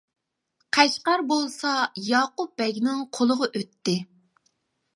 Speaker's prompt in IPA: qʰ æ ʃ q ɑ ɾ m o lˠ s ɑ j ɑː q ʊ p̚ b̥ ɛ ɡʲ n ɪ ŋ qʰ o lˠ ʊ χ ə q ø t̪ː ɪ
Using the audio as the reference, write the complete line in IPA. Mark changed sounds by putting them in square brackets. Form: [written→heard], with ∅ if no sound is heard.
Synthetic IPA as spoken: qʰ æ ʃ q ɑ ɾ [m→b] o lˠ s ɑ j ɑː q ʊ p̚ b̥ ɛ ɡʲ n ɪ ŋ qʰ o lˠ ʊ [χ→ʁ] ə [q→ʔ] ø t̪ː ɪ